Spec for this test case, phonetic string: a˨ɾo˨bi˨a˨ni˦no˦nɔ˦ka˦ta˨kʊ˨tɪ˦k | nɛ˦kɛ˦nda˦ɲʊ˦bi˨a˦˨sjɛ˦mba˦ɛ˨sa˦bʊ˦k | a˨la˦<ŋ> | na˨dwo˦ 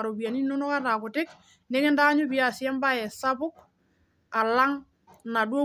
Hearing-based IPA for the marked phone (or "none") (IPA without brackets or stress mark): ŋ